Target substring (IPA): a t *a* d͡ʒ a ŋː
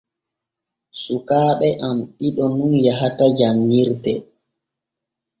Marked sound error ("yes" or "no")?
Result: no